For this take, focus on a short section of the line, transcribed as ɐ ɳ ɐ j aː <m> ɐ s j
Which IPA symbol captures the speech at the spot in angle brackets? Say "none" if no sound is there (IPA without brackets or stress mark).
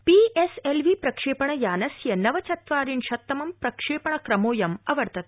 n